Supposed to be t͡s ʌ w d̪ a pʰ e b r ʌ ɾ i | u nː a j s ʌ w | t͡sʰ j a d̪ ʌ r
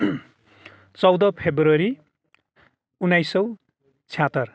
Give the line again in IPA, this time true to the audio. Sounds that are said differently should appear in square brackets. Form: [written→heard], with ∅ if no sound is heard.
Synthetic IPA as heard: t͡s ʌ w d̪ [a→ʌ] pʰ e b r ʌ ɾ i | u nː a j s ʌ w | t͡sʰ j a [d̪→t̪] ʌ r